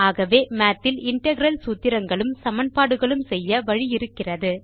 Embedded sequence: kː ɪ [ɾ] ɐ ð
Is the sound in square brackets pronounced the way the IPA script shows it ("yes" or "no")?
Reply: no